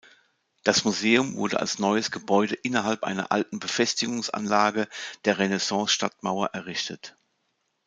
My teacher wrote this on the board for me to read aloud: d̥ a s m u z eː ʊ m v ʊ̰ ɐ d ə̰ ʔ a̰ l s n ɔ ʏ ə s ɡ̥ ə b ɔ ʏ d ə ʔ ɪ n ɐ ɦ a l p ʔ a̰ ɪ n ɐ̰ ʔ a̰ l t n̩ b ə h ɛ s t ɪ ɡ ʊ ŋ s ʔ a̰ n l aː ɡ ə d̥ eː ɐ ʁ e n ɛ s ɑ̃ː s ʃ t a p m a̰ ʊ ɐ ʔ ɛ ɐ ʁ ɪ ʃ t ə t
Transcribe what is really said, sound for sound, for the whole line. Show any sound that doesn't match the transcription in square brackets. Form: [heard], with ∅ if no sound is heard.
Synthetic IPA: d̥ a s m u z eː ʊ m v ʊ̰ ɐ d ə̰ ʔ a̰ l s n ɔ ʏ ə s ɡ̥ ə b ɔ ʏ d ə ʔ ɪ n ɐ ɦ a l p ʔ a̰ ɪ n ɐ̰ ʔ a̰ l t n̩ b ə [f] ɛ s t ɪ ɡ ʊ ŋ s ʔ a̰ n l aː ɡ ə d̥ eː ɐ ʁ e n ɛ s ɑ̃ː s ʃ t a [t] m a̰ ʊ ɐ ʔ ɛ ɐ ʁ ɪ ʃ t ə t

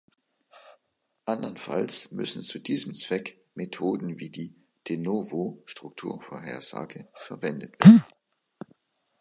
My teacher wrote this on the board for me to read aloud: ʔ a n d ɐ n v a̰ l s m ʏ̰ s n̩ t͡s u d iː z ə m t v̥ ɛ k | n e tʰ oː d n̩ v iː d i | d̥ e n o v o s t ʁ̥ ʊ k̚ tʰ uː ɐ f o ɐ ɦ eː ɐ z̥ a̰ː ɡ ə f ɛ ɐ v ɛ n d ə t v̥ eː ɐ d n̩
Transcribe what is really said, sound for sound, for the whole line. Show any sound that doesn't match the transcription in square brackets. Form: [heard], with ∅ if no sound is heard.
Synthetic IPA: ʔ a n d ɐ n [f] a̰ l s m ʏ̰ s n̩ t͡s u d iː z ə m [t͡s] v̥ ɛ k | [m] e tʰ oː d n̩ v iː d [iː] | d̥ e n o v o [ʃ] t ʁ̥ ʊ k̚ tʰ uː ɐ f o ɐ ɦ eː ɐ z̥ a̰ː ɡ ə f ɛ ɐ v ɛ n d ə t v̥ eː ɐ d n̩

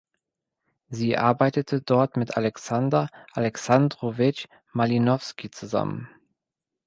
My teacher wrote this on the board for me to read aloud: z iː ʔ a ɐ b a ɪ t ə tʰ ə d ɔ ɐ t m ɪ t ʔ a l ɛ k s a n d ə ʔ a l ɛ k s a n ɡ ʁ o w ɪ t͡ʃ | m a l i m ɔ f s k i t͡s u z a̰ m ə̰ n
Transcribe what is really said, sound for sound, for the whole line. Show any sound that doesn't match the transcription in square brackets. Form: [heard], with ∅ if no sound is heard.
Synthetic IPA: z iː ʔ a ɐ b a ɪ t ə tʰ ə d ɔ ɐ t m ɪ t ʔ a l ɛ k s a n d [ɐ] ʔ a l ɛ k s a n [d] ʁ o [v] ɪ t͡ʃ | m a l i [n] ɔ f s k i t͡s u z a̰ m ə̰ n

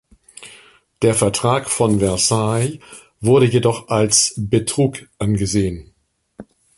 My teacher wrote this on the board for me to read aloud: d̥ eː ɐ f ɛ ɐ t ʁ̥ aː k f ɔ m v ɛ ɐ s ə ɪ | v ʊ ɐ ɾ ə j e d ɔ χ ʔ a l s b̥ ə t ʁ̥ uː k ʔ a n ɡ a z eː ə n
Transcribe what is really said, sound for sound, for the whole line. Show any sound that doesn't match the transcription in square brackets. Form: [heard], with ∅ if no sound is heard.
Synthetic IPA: d̥ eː ɐ f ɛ ɐ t ʁ̥ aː k f ɔ [n] v ɛ ɐ s [a] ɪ | v ʊ ɐ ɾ ə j e d ɔ χ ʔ a l s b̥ ə t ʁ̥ uː k ʔ a n ɡ [ə] z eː ə n

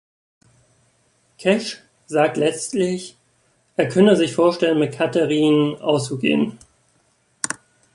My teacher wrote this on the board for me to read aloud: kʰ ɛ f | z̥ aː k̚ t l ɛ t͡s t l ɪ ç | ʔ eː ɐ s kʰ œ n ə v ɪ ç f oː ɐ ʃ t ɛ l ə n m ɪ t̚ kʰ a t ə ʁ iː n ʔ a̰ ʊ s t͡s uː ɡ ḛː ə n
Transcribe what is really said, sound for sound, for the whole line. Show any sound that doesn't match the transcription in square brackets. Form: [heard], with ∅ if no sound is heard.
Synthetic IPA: kʰ ɛ [ʃ] | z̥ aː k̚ t l ɛ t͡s t l ɪ ç | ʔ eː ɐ [∅] kʰ œ n ə [z] ɪ ç f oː ɐ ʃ t ɛ l ə n m ɪ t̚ kʰ a t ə ʁ iː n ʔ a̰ ʊ s t͡s [u] ɡ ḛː ə n

